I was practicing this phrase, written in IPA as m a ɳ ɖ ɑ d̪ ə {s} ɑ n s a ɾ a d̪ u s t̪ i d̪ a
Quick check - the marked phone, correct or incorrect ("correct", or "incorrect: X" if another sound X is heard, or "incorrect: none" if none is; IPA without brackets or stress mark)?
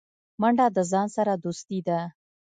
incorrect: z